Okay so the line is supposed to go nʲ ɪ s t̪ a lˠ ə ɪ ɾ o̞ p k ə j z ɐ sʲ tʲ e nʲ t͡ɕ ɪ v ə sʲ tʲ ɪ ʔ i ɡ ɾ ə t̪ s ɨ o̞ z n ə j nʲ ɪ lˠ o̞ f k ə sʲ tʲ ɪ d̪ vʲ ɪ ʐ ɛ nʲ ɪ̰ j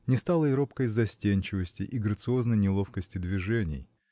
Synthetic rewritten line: nʲ ɪ s t̪ a lˠ ə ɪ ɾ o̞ p k ə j z ɐ sʲ tʲ e nʲ t͡ɕ ɪ v ə sʲ tʲ ɪ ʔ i ɡ ɾ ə t̪ s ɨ o̞ z n ə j nʲ ɪ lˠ o̞ f k ə sʲ tʲ ɪ d̪ vʲ ɪ ʐ ɛ nʲ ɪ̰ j